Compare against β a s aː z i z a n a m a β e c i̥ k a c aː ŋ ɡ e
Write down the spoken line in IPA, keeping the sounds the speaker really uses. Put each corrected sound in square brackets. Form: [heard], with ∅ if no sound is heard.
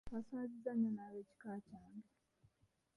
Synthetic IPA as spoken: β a s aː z i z a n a [n] a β e c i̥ k a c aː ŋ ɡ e

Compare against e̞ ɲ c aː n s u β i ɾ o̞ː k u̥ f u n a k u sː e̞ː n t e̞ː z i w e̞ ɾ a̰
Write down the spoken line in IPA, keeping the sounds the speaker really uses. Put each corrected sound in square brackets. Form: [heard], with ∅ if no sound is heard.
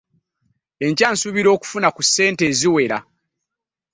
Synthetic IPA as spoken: e̞ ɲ c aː n s u β i ɾ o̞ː k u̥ f u n a k u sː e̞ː n t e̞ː z i w e̞ ɾ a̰

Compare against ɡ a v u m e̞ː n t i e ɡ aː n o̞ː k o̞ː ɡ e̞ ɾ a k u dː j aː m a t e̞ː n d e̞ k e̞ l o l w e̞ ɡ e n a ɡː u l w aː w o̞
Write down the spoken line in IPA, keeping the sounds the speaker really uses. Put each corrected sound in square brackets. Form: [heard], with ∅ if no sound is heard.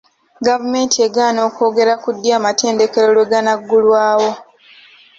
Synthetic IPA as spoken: ɡ a v u m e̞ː n t i e ɡ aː n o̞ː k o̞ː ɡ e̞ ɾ a k u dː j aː m a t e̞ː n d e̞ k e̞ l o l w e̞ ɡ [a] n a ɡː u l w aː w o̞

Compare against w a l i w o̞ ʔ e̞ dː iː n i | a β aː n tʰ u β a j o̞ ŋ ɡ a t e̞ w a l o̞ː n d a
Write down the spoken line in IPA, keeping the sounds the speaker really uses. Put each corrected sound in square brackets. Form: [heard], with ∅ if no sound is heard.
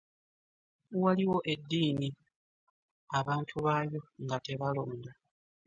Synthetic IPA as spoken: w a l i w o̞ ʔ e̞ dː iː n i | a β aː n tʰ u β a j o̞ ŋ ɡ a t e̞ [β] a l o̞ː n d a

